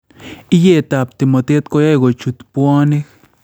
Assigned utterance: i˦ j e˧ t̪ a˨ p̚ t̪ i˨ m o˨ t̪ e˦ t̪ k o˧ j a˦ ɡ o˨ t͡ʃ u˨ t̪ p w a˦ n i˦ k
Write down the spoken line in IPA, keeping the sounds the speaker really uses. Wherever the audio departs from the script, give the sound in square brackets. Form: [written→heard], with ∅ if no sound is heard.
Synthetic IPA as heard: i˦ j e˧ t̪ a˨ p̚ t̪ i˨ m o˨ t̪ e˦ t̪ k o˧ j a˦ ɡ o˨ t͡ʃ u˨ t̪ p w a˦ n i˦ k